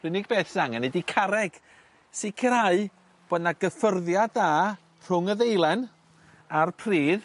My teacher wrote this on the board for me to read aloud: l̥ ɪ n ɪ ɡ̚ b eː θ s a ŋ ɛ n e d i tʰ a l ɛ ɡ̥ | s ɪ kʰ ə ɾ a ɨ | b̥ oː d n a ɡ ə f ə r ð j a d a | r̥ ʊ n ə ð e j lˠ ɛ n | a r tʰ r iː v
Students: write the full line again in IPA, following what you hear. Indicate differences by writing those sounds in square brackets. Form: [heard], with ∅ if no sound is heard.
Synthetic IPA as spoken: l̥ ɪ n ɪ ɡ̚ b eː θ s a ŋ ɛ n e d i [kʰ] a [ɾ] ɛ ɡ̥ | s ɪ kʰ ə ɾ a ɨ | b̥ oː d n a ɡ ə f ə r ð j a d a | r̥ ʊ [ŋ] ə ð e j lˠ ɛ n | a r [pʰ] r iː [ð]